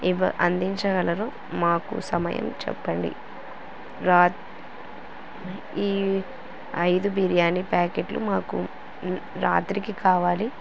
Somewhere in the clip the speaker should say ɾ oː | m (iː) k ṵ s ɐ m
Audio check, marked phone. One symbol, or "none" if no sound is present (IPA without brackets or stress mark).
aː